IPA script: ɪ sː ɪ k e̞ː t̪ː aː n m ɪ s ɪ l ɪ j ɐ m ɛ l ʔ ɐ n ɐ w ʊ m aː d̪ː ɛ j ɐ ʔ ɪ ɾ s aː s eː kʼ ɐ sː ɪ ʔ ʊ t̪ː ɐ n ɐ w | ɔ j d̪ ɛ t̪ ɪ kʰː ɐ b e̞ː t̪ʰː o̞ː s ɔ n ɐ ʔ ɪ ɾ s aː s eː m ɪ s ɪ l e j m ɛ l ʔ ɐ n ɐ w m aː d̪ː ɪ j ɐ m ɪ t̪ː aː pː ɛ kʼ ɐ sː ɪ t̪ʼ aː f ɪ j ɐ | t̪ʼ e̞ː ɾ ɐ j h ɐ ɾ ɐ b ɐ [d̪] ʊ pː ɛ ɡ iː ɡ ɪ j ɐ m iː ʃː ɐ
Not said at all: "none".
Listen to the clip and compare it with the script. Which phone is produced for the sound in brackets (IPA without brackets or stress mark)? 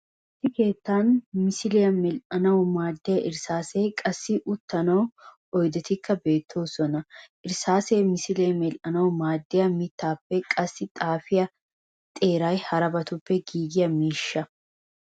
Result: t̪